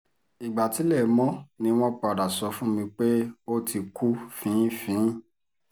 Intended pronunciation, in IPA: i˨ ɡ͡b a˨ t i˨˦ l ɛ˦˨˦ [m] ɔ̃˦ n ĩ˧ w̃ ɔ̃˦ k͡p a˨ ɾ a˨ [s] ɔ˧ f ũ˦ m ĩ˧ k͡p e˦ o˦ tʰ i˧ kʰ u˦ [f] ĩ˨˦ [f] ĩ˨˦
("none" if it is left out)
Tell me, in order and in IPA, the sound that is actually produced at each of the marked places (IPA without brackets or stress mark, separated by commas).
m, s, f, f